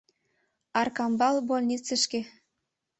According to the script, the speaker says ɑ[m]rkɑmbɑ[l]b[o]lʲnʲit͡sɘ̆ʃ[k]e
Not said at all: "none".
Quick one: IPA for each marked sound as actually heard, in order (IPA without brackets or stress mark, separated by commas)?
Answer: none, l, o, k